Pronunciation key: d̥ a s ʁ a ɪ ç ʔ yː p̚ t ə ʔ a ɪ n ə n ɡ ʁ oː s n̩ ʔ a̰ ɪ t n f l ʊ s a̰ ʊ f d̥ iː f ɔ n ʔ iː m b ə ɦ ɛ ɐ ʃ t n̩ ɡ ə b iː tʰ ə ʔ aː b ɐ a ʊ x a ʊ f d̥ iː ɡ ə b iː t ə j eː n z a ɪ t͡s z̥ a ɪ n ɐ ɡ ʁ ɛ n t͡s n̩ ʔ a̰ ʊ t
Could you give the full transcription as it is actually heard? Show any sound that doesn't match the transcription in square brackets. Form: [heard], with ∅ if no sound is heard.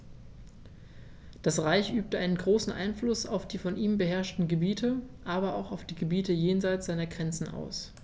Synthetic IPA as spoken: d̥ a s ʁ a ɪ ç ʔ yː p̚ t ə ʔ a ɪ n ə n ɡ ʁ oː s n̩ ʔ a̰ ɪ [∅] n f l ʊ s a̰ ʊ f d̥ iː f ɔ n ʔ iː m b ə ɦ ɛ ɐ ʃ t n̩ ɡ ə b iː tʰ ə ʔ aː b ɐ a ʊ x a ʊ f d̥ iː ɡ ə b iː t ə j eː n z a ɪ t͡s z̥ a ɪ n ɐ ɡ ʁ ɛ n t͡s n̩ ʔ a̰ ʊ [s]